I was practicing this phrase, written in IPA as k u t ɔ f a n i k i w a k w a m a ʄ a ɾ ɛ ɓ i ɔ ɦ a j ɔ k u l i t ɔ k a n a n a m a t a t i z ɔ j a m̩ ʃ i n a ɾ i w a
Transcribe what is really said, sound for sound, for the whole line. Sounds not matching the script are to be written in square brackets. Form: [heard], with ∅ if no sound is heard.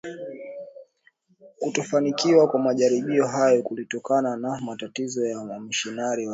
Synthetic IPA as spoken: k u t ɔ f a n i k i w a k w a m a ʄ a ɾ [i] ɓ i ɔ ɦ a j ɔ k u l i t ɔ k a n a n a m a t a t i z ɔ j a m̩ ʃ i n a ɾ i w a